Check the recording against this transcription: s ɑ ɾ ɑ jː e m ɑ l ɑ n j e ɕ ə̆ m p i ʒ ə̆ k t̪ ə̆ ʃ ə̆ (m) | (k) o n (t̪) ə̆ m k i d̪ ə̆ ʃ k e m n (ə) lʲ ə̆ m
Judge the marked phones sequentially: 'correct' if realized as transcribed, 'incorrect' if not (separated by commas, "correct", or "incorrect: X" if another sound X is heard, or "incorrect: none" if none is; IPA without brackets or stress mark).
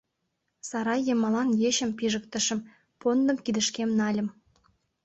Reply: correct, incorrect: p, incorrect: d̪, incorrect: ɑ